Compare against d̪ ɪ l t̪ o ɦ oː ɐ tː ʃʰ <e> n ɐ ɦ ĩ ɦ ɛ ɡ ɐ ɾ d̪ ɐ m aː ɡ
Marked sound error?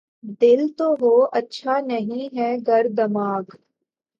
yes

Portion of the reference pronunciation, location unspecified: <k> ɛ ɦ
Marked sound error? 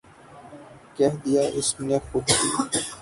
no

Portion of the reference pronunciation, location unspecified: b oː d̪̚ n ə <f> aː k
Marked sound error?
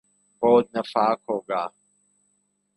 no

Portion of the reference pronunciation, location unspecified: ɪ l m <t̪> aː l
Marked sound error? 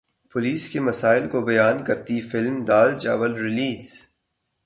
yes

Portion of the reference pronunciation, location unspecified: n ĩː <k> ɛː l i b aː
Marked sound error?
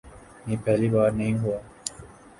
yes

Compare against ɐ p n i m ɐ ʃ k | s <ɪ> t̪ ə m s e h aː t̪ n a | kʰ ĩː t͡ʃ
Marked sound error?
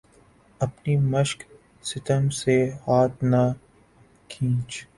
no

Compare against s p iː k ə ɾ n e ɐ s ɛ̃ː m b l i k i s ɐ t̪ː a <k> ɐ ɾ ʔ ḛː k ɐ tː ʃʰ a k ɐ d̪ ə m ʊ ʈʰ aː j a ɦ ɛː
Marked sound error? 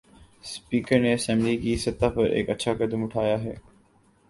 yes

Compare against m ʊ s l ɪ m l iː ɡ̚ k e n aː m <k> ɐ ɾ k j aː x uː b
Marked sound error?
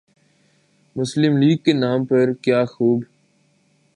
yes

